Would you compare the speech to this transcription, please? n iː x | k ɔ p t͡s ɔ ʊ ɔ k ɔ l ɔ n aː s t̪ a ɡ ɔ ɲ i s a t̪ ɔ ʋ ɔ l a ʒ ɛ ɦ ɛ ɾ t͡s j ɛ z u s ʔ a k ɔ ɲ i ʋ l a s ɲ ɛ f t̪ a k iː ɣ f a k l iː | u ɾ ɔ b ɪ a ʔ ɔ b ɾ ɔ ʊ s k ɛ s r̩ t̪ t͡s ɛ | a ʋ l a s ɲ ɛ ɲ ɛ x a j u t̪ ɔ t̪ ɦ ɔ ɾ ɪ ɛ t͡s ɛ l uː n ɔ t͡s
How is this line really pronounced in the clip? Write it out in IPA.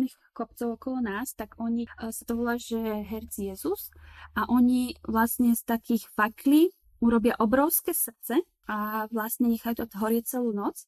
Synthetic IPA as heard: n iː x | k ɔ p t͡s ɔ ʊ ɔ k ɔ l ɔ n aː s t̪ a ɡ ɔ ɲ i s a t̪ ɔ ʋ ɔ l a ʒ ɛ ɦ ɛ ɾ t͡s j ɛ z u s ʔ a ʔ ɔ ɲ i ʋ l a s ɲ ɛ s t̪ a k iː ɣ f a k l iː | u ɾ ɔ b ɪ a ʔ ɔ b ɾ ɔ ʊ s k ɛ s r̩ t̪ t͡s ɛ | a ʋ l a s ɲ ɛ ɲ ɛ x a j u t̪ ɔ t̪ ɦ ɔ ɾ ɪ ɛ t͡s ɛ l uː n ɔ t͡s